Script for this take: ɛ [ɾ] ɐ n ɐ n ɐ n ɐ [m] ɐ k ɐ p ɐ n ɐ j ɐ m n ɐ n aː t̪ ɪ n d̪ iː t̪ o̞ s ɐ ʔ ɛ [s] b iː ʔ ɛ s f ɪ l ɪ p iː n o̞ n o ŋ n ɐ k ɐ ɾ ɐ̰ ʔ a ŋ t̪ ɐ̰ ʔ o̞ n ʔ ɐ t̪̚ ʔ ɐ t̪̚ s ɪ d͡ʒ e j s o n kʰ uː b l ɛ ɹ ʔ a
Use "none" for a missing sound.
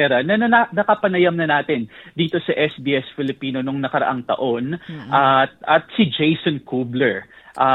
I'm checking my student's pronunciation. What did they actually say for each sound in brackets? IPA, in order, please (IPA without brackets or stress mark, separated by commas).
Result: ɾ, n, s